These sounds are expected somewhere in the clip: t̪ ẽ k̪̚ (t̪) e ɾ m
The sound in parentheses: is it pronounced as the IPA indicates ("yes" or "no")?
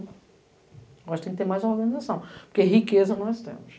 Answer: yes